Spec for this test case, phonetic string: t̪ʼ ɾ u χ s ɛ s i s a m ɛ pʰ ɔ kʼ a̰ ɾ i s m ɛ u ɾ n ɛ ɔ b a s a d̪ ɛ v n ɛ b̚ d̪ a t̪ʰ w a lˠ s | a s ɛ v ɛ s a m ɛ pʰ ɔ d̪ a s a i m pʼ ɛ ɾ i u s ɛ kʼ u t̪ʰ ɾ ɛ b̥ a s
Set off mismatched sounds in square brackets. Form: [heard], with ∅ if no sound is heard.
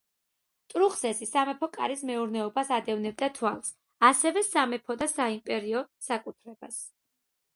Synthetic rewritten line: t̪ʼ ɾ u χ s ɛ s i s a m ɛ pʰ ɔ kʼ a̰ ɾ i s m ɛ u ɾ n ɛ ɔ b a s a d̪ ɛ v n ɛ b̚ d̪ a t̪ʰ w a lˠ s | a s ɛ v ɛ s a m ɛ pʰ ɔ d̪ a s a i m pʼ ɛ ɾ i [ɔ] s [a] kʼ u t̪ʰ ɾ ɛ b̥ a s

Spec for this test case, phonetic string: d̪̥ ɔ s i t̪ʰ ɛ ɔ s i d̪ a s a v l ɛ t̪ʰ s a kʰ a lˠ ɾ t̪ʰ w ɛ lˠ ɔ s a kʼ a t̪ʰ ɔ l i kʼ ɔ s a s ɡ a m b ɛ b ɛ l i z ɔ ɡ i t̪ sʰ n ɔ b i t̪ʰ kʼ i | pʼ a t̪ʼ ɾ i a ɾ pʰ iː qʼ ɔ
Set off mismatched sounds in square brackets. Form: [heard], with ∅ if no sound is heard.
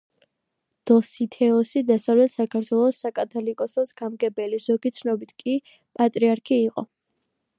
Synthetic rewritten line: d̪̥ ɔ s i t̪ʰ ɛ ɔ s i d̪ a s a v l ɛ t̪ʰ s a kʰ a [∅] ɾ t̪ʰ w ɛ lˠ ɔ s a kʼ a t̪ʰ ɔ l i kʼ ɔ s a s ɡ a m [ɡ] ɛ b ɛ l i z ɔ ɡ i t̪ sʰ n ɔ b i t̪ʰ kʼ i | pʼ a t̪ʼ ɾ i a ɾ [kʰ] iː qʼ ɔ

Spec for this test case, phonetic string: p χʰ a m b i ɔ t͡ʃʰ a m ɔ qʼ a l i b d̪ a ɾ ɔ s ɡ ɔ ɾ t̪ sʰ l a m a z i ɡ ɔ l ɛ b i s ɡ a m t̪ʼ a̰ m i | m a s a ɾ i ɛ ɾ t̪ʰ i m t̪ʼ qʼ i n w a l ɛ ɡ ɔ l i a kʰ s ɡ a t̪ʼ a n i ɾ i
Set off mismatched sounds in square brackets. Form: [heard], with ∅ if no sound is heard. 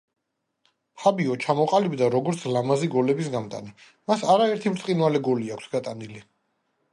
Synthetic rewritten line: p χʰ a [∅] b i ɔ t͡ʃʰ a m ɔ qʼ a l i b d̪ a ɾ ɔ [∅] ɡ ɔ ɾ t̪ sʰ l a m a z i ɡ ɔ l ɛ b i s ɡ a m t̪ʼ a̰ [n] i | m a s a ɾ [a] ɛ ɾ t̪ʰ i m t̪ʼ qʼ i n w a l ɛ ɡ ɔ l i a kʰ s ɡ a t̪ʼ a n i [l] i

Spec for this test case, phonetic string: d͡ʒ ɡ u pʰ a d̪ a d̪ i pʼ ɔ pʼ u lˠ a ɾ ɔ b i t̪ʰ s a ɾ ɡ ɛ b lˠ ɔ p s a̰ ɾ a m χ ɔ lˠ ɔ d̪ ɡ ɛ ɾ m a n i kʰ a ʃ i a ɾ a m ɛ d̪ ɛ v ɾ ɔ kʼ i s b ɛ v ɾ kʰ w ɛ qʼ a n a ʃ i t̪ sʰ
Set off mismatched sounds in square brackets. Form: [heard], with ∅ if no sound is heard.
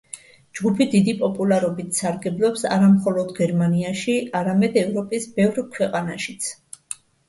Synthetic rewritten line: d͡ʒ ɡ u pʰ [i] d̪ [i] d̪ i pʼ ɔ pʼ u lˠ a ɾ ɔ b i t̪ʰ s a ɾ ɡ ɛ b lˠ ɔ p s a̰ ɾ a m χ ɔ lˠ ɔ d̪ ɡ ɛ ɾ m a n i [∅] a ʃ i a ɾ a m ɛ d̪ ɛ v ɾ ɔ [pʼ] i s b ɛ v ɾ kʰ w ɛ qʼ a n a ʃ i t̪ sʰ

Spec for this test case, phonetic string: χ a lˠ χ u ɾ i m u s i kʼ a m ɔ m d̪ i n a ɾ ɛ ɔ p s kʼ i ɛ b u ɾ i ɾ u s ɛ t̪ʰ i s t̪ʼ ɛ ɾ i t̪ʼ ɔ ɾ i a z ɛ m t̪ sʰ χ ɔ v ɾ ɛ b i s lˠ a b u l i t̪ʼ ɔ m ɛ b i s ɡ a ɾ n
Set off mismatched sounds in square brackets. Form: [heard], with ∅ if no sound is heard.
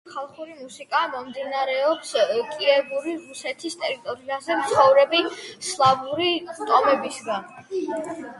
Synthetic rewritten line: χ a lˠ χ u ɾ i m u s i kʼ a m ɔ m d̪ i n a ɾ ɛ ɔ p s kʼ i ɛ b u ɾ i ɾ u s ɛ t̪ʰ i s t̪ʼ ɛ ɾ i t̪ʼ ɔ ɾ i a z ɛ m t̪ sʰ χ ɔ v ɾ ɛ b i s lˠ a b u [ɾ] i t̪ʼ ɔ m ɛ b i s ɡ a [∅] n

